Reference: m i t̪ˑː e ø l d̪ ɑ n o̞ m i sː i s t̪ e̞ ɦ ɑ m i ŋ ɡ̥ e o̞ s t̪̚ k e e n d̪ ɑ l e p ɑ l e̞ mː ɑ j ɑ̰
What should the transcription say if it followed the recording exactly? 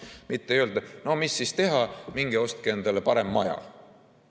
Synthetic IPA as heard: m i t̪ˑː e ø l d̪ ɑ n o̞ m i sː i s t̪ e̞ ɦ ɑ m i ŋ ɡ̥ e o̞ s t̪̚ k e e n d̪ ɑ l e p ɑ ɾ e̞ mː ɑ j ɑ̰